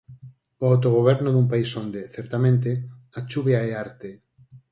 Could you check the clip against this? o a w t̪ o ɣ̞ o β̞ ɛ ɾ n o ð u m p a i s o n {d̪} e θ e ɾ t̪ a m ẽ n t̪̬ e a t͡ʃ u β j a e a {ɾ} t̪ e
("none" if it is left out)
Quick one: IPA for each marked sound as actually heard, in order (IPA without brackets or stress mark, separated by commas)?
d̪, ɾ